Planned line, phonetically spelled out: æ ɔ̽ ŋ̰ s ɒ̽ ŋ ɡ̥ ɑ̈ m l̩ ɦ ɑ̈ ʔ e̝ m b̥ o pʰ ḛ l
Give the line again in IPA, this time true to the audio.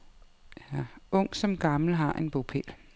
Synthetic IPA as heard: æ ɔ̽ ŋ̰ s ɒ̽ m ɡ̥ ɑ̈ m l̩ ɦ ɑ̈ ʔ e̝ n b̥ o pʰ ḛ l